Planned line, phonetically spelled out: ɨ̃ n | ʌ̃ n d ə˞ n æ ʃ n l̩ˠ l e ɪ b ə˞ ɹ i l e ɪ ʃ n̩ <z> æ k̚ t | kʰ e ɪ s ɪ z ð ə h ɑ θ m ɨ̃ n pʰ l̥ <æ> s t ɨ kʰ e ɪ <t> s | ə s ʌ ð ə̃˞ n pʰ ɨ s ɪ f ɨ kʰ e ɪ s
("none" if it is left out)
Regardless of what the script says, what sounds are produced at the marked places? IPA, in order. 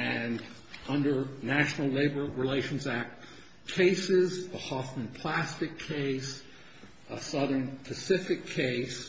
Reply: z, æ, none

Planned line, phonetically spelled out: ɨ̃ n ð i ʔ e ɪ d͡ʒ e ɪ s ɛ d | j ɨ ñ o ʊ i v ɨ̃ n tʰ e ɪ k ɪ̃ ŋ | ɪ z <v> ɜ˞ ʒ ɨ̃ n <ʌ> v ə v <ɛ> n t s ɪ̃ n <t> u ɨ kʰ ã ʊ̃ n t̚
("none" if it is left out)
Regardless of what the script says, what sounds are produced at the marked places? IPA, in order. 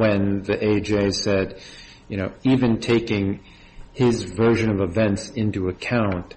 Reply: v, ʌ, ɛ̃, t

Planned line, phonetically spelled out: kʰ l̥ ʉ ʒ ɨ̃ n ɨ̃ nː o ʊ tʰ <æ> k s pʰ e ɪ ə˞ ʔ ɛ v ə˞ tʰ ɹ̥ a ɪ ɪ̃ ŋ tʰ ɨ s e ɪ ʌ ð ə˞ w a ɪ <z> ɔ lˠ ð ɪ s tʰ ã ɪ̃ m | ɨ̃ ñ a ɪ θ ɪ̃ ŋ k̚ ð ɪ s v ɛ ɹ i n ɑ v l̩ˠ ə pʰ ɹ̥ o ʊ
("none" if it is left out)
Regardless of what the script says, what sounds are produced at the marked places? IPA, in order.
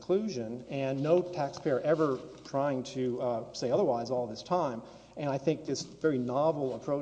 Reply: æ, z

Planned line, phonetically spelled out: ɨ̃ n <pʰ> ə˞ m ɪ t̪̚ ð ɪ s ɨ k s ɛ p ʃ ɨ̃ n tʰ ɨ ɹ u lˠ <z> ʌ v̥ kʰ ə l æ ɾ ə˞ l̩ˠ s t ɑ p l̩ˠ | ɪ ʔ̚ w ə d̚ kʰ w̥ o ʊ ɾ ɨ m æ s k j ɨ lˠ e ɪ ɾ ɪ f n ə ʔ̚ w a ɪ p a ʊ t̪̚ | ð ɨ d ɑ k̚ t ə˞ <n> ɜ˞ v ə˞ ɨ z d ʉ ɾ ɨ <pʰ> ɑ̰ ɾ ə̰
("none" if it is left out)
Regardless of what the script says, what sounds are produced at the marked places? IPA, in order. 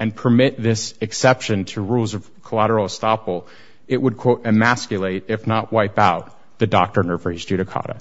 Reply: pʰ, z, n, kʰ

